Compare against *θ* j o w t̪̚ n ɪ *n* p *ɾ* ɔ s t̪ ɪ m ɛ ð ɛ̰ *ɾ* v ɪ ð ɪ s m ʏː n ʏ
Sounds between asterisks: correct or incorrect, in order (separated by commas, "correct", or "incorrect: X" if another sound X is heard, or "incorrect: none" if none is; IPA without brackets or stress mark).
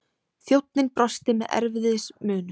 correct, correct, correct, correct